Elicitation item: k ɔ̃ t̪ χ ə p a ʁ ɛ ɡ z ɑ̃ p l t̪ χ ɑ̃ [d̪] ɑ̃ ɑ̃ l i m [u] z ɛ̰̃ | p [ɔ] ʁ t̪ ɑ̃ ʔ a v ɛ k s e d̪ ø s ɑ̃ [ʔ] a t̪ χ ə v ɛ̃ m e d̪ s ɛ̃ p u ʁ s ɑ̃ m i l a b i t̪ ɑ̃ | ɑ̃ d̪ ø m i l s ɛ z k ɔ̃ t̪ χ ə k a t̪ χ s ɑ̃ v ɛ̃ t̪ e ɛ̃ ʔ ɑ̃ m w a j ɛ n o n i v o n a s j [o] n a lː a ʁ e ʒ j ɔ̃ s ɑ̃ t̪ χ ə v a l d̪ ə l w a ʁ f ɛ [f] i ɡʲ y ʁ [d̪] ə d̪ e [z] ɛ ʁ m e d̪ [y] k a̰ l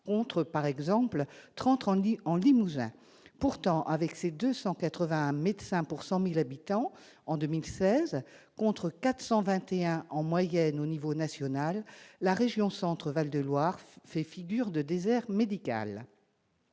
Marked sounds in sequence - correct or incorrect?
incorrect, correct, incorrect, incorrect, incorrect, correct, correct, correct, incorrect

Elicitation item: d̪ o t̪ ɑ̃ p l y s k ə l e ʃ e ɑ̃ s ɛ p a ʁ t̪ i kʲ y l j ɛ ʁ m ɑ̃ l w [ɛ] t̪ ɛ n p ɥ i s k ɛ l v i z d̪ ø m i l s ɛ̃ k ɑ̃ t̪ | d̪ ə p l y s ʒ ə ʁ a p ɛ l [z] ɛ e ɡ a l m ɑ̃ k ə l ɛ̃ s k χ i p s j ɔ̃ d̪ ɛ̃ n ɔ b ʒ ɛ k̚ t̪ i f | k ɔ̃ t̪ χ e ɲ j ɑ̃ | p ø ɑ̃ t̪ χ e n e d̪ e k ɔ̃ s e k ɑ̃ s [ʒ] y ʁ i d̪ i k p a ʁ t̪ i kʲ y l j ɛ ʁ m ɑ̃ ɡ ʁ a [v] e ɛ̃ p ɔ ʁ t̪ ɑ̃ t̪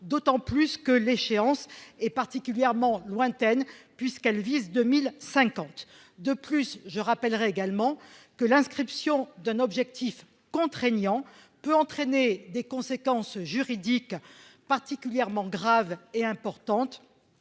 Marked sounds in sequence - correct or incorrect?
incorrect, incorrect, correct, correct

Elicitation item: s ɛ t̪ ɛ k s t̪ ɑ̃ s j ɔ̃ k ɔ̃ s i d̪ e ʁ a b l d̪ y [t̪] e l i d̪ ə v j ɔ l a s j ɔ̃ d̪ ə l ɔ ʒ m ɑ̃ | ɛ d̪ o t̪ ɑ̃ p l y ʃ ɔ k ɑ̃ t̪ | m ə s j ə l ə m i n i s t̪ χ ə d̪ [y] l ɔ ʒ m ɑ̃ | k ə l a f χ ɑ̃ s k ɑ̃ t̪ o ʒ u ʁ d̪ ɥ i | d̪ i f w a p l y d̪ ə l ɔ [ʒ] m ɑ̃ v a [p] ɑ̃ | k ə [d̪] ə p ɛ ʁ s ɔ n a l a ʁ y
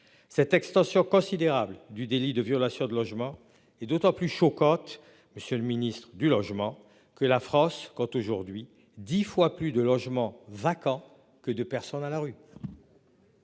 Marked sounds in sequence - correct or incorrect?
incorrect, correct, correct, incorrect, correct

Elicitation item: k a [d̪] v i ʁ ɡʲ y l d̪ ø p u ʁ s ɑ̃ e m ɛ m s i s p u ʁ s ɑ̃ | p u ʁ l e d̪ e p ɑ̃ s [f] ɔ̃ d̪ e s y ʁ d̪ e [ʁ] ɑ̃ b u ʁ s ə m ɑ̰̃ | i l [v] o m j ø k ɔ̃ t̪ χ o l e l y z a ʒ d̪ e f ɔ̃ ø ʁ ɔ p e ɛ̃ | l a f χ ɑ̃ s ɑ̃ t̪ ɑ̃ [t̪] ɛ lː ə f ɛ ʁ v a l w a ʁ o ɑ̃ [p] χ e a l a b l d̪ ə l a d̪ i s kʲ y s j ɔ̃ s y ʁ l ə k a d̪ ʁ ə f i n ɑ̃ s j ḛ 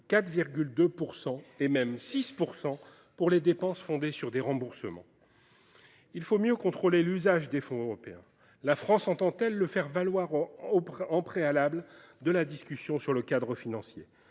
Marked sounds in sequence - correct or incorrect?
incorrect, correct, correct, incorrect, correct, correct

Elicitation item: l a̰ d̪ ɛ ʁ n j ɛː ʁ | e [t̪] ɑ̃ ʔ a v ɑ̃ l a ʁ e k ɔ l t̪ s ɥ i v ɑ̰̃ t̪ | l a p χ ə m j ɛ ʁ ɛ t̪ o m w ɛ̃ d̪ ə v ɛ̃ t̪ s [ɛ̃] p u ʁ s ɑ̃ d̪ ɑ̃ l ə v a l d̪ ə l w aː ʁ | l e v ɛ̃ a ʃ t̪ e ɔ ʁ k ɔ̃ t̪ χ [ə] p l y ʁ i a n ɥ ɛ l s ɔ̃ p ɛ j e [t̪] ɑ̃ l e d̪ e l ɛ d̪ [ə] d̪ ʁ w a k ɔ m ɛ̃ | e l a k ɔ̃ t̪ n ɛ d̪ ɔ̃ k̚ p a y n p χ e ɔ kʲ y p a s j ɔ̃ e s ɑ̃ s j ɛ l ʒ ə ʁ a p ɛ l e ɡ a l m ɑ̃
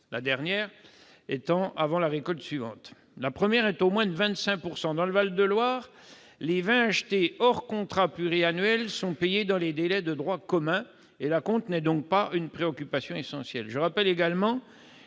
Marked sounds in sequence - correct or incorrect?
correct, correct, incorrect, incorrect, correct

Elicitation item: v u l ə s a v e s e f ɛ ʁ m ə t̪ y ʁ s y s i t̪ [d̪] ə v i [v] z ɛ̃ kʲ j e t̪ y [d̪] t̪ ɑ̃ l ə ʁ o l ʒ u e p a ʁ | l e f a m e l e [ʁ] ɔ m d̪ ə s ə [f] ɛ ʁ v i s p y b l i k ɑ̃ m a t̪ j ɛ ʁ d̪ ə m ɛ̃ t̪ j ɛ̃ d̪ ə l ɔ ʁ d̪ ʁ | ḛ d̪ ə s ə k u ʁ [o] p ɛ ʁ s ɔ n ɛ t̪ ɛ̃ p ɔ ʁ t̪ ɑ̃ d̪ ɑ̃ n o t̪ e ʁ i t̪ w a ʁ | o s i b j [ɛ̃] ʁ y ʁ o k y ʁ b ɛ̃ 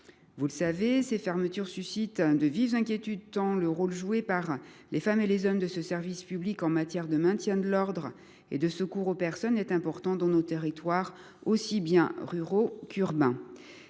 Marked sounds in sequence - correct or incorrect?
correct, correct, correct, incorrect, incorrect, correct, correct

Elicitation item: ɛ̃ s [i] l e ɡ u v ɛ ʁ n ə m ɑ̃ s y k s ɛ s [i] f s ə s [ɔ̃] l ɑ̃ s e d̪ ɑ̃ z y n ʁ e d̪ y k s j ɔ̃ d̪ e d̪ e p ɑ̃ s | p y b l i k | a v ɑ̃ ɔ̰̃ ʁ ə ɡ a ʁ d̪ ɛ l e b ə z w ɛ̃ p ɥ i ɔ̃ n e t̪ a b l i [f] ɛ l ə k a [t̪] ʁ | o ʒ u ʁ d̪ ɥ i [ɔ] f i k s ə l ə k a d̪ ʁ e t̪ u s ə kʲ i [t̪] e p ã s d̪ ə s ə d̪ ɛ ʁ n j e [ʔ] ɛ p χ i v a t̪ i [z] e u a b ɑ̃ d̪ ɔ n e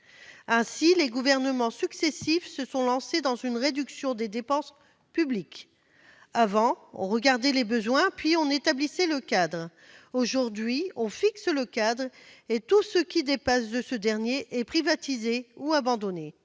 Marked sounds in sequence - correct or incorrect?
correct, correct, correct, incorrect, incorrect, incorrect, incorrect, correct, correct

